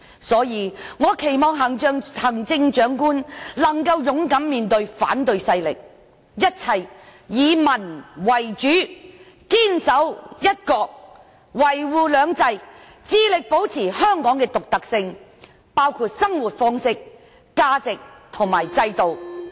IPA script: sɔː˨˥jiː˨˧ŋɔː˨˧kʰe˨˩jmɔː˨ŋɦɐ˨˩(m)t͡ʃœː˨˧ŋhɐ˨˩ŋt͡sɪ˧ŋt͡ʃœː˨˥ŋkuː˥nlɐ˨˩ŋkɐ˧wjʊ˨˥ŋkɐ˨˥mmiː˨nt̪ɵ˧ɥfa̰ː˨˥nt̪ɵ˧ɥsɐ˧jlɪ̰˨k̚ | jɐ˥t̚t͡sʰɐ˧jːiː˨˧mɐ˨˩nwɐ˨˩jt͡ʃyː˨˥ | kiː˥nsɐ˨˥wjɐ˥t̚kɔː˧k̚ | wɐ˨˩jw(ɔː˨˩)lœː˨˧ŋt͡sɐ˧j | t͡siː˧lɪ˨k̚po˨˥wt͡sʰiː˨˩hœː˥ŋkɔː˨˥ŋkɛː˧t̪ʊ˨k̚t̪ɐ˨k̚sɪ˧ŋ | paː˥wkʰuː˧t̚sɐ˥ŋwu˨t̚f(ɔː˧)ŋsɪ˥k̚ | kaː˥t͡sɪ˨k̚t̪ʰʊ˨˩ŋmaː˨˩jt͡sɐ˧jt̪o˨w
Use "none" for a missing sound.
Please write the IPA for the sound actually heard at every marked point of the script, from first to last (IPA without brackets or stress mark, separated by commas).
ŋ, uː˨˩, ɔː˥